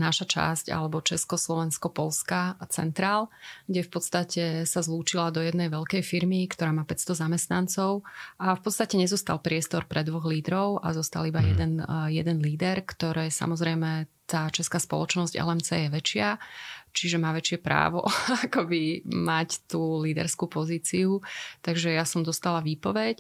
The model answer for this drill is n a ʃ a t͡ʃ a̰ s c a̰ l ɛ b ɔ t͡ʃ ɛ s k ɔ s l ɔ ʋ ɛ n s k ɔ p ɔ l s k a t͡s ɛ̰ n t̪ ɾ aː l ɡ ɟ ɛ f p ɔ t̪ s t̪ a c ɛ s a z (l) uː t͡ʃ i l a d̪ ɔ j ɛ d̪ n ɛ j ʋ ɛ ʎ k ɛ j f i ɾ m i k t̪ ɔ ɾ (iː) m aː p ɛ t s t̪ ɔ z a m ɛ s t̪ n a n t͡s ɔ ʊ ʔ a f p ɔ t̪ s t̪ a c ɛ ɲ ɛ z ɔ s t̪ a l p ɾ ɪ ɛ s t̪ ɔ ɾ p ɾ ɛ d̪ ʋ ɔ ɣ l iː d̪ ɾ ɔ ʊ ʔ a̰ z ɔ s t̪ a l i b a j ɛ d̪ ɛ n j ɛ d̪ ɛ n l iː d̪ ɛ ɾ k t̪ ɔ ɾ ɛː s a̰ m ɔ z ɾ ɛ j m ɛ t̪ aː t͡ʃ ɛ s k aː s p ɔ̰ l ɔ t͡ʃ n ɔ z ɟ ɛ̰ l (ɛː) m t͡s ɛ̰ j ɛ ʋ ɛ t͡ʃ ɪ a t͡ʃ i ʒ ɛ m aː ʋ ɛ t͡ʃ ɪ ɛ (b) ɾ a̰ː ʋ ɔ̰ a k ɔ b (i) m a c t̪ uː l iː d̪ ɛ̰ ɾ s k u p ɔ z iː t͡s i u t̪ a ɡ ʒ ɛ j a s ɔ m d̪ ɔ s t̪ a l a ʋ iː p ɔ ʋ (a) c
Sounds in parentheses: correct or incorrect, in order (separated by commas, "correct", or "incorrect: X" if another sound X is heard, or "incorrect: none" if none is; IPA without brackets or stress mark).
correct, incorrect: aː, incorrect: ɛ, incorrect: p, correct, incorrect: ɛ